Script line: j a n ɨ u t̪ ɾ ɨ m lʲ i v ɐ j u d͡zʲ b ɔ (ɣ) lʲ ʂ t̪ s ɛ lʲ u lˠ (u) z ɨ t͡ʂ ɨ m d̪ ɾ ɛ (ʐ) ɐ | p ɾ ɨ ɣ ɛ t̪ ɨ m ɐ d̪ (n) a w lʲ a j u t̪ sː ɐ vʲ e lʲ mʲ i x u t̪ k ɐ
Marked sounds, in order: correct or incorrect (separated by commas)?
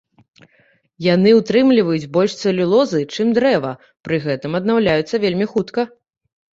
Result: incorrect, incorrect, incorrect, correct